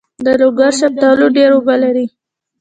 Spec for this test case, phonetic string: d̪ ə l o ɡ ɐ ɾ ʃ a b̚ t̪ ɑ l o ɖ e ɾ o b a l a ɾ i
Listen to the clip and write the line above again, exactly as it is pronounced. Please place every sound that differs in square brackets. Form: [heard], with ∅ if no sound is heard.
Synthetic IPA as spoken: d̪ ə l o ɡ [a] ɾ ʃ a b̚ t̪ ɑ l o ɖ e ɾ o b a l a ɾ i